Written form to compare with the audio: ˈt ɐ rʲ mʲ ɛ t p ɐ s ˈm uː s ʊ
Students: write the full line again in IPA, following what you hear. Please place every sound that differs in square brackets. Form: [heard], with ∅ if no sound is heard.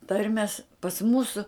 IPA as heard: ˈt ɐ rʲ mʲ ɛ [s] p ɐ s ˈm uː s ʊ

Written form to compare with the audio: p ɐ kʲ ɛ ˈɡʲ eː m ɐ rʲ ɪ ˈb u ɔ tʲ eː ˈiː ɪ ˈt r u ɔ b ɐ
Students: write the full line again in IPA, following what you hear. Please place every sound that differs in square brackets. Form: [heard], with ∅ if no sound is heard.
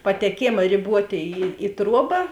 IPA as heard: p ɐ [tʲ] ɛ [ˈkʲ] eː m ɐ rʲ ɪ ˈb u ɔ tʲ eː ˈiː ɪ ˈt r u ɔ b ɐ

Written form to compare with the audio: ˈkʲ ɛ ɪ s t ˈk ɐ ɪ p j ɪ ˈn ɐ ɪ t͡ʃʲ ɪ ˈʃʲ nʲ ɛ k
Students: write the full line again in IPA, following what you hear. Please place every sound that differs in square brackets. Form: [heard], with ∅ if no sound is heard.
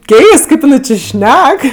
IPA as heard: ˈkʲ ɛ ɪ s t ˈk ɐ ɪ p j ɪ ˈn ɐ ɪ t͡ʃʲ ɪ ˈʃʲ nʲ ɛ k

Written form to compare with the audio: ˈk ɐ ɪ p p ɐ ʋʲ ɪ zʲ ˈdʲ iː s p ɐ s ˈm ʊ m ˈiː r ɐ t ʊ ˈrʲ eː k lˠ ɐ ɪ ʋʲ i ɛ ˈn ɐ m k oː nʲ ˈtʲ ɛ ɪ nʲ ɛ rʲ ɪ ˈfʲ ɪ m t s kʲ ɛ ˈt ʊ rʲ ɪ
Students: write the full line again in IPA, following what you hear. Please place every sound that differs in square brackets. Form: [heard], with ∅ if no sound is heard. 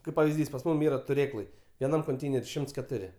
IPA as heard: ˈk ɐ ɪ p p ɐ ʋʲ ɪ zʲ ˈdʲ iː s p ɐ s ˈm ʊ m ˈiː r ɐ t ʊ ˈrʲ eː k lˠ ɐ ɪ ʋʲ i ɛ ˈn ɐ m k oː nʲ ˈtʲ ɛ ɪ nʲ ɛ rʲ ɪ [ˈʃʲ] ɪ m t s kʲ ɛ ˈt ʊ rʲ ɪ

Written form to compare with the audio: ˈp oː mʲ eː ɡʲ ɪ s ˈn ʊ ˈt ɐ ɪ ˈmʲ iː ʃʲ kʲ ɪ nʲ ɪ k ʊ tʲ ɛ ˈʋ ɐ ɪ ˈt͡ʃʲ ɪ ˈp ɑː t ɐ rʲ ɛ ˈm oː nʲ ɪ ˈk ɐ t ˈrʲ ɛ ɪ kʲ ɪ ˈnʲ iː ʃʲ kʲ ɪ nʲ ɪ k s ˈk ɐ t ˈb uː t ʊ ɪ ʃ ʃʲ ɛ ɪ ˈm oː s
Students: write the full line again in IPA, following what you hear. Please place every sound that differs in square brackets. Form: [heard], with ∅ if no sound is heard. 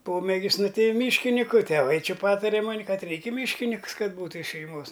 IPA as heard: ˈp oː mʲ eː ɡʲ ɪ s ˈn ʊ ˈt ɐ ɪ ˈmʲ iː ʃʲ kʲ ɪ nʲ ɪ k ʊ tʲ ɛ ˈʋ ɐ ɪ ˈt͡ʃʲ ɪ ˈp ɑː t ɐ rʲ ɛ ˈm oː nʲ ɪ ˈk ɐ t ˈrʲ ɛ ɪ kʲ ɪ [ˈmʲ] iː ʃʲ kʲ ɪ nʲ ɪ k s ˈk ɐ t ˈb uː t ʊ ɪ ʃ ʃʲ ɛ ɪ ˈm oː s

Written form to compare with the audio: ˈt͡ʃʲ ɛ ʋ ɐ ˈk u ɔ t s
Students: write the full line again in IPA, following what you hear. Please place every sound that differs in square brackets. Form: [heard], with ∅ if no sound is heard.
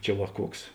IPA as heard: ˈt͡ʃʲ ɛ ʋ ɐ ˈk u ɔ [k] s

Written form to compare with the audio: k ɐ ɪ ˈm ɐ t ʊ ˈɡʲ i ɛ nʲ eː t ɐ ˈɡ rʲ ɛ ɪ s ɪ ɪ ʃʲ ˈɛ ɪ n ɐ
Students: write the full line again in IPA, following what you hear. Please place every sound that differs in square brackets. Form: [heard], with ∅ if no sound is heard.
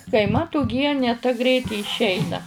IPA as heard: k ɐ ɪ ˈm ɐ t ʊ ˈɡʲ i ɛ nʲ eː t ɐ ˈɡ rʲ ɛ ɪ [t] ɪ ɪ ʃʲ ˈɛ ɪ n ɐ

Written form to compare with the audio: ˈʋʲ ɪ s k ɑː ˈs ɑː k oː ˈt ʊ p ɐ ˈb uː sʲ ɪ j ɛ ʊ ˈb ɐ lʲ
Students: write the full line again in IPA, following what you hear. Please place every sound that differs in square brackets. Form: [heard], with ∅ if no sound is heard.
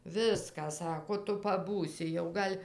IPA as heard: ˈʋʲ ɪ s k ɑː ˈs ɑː k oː ˈt ʊ p ɐ ˈb uː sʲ ɪ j ɛ ʊ [ˈɡ] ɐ lʲ

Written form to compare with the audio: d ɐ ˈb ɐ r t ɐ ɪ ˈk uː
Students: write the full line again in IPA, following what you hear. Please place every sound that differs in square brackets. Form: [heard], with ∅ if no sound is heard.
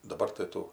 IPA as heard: d ɐ ˈb ɐ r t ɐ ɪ [ˈt] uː

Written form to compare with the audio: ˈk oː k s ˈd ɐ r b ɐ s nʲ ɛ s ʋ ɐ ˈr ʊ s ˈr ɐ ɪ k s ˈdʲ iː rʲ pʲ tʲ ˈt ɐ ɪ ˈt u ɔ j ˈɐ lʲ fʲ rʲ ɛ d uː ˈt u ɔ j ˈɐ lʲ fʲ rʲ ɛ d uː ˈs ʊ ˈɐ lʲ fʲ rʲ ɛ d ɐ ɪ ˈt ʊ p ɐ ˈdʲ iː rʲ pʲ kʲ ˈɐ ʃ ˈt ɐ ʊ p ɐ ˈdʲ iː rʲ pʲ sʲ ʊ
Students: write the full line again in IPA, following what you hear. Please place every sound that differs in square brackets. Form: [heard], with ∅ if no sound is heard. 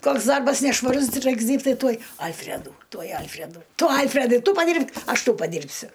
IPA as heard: ˈk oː k s ˈd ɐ r b ɐ s nʲ ɛ [ʃ] ʋ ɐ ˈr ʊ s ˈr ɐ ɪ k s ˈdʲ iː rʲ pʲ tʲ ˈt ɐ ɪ ˈt u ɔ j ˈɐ lʲ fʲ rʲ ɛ d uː ˈt u ɔ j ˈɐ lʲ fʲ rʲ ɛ d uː [ˈt] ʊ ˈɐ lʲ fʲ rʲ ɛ d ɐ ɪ ˈt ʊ p ɐ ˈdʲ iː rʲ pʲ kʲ ˈɐ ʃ ˈt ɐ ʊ p ɐ ˈdʲ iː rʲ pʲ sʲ ʊ

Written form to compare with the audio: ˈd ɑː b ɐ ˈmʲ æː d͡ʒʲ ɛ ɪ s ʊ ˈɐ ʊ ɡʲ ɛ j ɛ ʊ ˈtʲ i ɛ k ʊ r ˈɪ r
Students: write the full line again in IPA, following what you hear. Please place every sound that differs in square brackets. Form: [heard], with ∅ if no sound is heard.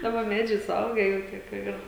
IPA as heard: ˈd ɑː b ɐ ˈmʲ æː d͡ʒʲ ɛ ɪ s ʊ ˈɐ ʊ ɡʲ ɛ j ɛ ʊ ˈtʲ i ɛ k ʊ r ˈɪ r

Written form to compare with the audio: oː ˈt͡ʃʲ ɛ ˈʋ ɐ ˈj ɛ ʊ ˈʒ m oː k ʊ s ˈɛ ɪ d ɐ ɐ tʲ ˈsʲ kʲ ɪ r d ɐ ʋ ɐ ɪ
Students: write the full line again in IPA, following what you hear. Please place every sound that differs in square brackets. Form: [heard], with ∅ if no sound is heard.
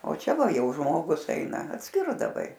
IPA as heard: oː ˈt͡ʃʲ ɛ ˈʋ ɐ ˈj ɛ ʊ ˈʒ m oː [ɡ] ʊ s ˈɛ ɪ [n] ɐ ɐ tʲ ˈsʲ kʲ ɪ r d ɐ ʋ ɐ ɪ

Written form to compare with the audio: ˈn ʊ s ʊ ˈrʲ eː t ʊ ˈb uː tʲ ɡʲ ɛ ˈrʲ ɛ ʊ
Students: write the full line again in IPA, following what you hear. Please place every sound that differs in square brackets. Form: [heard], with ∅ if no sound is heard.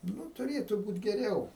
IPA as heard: ˈn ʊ [t] ʊ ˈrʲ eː t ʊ ˈb uː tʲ ɡʲ ɛ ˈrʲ ɛ ʊ

